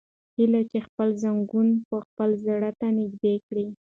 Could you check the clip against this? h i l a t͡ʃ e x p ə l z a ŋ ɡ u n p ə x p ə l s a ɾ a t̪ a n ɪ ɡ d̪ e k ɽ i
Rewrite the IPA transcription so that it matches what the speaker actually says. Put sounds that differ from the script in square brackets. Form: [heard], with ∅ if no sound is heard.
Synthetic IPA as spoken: h i l a t͡ʃ e x p ə l z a ŋ ɡ u n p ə x p ə l [z] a [ɽ] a t̪ a n ɪ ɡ d̪ e k ɽ i